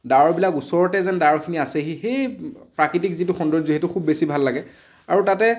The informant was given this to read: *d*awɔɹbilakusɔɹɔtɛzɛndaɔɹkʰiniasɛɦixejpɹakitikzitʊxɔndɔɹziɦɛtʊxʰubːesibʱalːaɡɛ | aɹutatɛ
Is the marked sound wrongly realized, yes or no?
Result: no